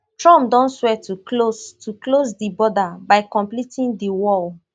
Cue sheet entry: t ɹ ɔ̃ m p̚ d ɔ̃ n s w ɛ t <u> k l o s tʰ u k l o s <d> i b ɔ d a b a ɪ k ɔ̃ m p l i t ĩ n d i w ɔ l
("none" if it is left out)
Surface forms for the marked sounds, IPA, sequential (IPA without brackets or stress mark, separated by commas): u, d